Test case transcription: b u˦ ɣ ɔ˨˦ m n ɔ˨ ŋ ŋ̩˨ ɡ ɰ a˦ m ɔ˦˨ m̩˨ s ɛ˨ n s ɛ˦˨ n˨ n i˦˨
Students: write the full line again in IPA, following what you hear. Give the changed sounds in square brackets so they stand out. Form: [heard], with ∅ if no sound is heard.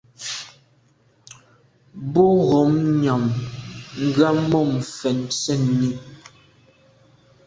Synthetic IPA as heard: b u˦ ɣ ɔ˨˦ m [ɲ] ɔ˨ [m] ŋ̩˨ ɡ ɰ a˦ m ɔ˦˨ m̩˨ [f] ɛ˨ n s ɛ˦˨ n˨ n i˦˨

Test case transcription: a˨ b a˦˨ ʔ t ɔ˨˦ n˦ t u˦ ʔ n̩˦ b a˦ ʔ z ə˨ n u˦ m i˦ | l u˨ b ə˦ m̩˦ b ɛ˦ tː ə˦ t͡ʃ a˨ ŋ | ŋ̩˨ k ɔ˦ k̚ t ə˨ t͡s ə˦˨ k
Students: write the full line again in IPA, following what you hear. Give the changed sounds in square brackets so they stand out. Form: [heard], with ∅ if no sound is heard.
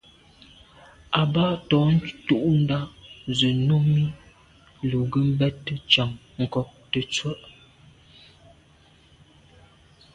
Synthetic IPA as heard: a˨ b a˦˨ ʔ t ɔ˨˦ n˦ t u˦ ʔ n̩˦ [d] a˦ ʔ z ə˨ n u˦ m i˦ | l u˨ [ɡ] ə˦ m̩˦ b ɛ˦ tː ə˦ t͡ʃ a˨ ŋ | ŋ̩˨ k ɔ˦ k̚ t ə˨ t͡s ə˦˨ [ʔ]

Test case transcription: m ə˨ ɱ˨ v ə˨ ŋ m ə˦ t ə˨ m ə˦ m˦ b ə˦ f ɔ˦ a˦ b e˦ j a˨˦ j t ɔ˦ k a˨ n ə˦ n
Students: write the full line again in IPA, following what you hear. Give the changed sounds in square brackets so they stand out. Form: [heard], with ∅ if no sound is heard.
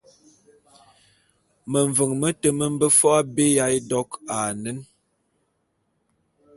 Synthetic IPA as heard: m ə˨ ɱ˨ v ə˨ ŋ m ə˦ t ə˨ m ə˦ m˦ b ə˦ f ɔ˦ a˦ b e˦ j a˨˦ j [d] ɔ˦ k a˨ n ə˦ n

